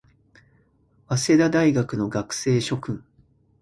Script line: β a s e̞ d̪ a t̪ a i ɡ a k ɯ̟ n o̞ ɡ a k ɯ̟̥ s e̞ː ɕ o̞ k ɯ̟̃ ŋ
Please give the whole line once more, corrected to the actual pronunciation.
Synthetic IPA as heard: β a s e̞ d̪ a d̪ a i ɡ a k ɯ̟ n o̞ ɡ a k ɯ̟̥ s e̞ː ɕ o̞ k ɯ̟̃ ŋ